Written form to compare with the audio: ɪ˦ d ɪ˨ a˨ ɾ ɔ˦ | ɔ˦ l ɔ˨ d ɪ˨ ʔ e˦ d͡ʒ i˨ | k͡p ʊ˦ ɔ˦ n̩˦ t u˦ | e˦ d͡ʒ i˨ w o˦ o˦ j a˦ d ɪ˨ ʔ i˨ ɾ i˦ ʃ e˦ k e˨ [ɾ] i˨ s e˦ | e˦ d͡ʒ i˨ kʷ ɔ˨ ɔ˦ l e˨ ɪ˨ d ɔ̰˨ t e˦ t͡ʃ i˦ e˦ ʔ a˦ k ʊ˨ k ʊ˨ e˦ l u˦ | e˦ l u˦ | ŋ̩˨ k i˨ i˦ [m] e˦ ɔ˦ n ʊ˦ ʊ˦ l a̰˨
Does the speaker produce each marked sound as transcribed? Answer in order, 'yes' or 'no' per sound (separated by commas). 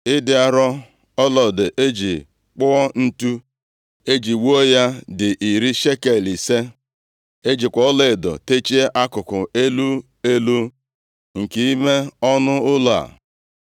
no, yes